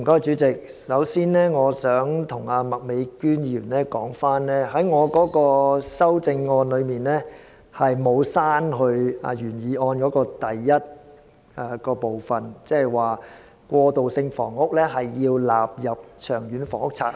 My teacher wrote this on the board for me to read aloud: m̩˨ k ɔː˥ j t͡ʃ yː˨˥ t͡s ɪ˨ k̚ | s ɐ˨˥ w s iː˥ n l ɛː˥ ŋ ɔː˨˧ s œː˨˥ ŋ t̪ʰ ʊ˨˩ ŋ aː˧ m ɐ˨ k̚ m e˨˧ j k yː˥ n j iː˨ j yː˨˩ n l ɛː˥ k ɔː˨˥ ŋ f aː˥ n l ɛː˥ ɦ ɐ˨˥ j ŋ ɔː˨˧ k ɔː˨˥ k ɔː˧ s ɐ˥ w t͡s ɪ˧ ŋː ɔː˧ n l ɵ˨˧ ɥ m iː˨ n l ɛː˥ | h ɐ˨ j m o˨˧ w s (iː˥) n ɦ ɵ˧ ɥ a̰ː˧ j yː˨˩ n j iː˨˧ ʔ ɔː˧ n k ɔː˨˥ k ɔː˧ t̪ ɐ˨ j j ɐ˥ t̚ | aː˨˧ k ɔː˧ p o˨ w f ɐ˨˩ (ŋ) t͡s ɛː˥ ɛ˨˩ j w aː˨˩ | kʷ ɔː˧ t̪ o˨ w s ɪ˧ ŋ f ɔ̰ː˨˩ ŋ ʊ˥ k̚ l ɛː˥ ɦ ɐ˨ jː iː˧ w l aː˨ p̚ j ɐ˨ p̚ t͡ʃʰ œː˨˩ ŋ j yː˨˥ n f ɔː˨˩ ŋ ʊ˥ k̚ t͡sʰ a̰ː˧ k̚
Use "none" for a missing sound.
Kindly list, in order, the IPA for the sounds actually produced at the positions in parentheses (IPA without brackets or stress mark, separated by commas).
aː˥, n